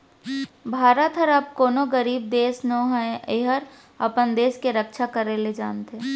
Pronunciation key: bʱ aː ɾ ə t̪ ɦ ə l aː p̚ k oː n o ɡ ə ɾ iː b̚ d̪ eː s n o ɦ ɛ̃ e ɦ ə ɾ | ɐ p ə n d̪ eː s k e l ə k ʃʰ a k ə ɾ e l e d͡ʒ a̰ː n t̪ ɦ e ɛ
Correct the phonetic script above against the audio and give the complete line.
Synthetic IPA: bʱ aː ɾ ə t̪ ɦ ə ɾ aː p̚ k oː n o ɡ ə ɾ iː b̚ d̪ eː s n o ɦ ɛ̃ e ɦ ə ɾ | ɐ p ə n d̪ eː s k e ɾ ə k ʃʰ a k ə ɾ e l e d͡ʒ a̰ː n t̪ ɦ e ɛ